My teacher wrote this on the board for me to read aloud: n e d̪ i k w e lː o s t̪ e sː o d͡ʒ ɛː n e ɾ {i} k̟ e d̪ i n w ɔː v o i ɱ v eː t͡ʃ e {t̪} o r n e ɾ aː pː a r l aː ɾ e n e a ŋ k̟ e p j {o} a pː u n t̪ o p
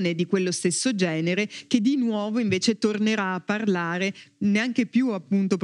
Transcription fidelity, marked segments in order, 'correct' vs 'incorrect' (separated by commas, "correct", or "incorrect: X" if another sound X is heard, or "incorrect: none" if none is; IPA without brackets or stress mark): incorrect: e, correct, incorrect: u